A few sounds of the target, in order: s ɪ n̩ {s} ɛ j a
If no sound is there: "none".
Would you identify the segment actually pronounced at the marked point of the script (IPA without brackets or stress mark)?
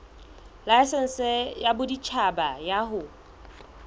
s